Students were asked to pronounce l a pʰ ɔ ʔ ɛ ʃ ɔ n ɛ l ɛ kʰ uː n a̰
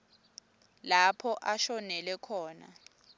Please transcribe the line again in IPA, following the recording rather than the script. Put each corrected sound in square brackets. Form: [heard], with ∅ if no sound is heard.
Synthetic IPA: l a pʰ ɔ ʔ [a] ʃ ɔ n ɛ l ɛ kʰ [ɔː] n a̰